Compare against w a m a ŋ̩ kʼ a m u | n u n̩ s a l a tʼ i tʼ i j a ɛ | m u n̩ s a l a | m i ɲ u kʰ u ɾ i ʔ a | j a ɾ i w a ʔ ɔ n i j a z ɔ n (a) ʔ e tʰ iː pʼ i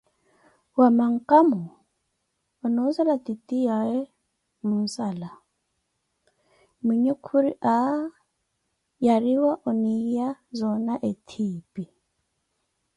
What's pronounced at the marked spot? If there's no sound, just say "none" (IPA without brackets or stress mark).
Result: a